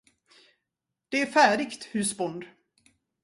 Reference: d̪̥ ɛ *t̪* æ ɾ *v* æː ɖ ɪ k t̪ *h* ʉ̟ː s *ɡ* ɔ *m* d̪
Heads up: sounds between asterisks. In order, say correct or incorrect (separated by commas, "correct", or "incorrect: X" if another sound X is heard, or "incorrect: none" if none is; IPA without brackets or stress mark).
incorrect: none, incorrect: f, correct, incorrect: b, incorrect: n